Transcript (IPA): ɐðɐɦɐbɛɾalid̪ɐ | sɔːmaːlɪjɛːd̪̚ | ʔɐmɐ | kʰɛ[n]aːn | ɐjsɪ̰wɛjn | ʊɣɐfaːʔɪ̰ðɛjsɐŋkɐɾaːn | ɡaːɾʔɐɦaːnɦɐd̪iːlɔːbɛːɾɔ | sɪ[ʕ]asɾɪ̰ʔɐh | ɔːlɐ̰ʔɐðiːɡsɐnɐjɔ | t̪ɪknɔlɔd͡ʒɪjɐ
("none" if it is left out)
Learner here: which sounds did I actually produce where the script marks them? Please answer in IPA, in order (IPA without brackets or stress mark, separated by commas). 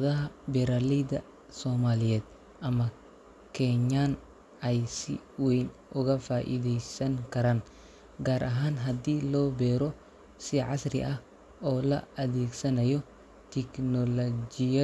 ɲ, ʕ